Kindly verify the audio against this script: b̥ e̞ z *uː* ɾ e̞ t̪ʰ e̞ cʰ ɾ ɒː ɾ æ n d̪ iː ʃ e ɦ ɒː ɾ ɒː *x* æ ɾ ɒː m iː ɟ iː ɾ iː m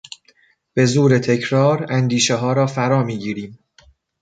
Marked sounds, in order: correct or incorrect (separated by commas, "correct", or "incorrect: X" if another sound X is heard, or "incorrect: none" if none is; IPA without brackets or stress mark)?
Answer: correct, incorrect: f